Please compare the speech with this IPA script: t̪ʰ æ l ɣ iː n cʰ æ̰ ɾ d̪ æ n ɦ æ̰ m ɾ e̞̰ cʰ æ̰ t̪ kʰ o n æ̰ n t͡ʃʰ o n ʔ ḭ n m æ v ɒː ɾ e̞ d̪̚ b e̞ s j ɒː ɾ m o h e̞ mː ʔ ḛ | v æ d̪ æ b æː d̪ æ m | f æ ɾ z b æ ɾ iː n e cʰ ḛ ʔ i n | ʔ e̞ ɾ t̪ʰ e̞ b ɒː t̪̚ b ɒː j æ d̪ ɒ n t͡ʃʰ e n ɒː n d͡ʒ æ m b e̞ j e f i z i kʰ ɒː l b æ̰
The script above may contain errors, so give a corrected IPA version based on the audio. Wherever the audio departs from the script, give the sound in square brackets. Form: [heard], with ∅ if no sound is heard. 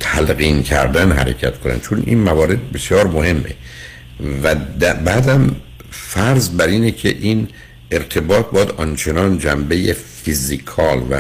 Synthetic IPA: t̪ʰ æ l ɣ iː n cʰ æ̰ ɾ d̪ æ n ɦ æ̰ [∅] ɾ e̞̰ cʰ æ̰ t̪ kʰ o n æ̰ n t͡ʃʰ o n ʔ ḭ n m æ v ɒː ɾ e̞ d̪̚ b e̞ s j ɒː ɾ m o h e̞ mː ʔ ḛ | v æ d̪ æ b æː d̪ æ m | f æ ɾ z b æ ɾ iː n e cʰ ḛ ʔ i n | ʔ e̞ ɾ t̪ʰ e̞ b ɒː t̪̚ b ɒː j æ d̪ ɒ n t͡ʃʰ e n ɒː n d͡ʒ æ m b e̞ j e f i z i kʰ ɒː l [v] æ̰